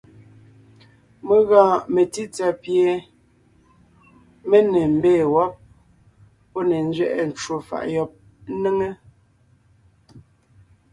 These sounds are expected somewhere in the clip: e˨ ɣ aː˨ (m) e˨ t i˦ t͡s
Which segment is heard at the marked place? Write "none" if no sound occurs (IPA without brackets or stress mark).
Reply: m